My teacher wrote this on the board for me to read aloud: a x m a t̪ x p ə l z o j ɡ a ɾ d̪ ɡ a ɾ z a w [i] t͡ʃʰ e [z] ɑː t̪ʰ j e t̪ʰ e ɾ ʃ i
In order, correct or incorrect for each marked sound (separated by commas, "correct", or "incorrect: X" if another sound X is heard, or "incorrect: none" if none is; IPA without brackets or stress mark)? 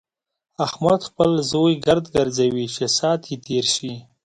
correct, incorrect: s